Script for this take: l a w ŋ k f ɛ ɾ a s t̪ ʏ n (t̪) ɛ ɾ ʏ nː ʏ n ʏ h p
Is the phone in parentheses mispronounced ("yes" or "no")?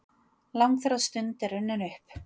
no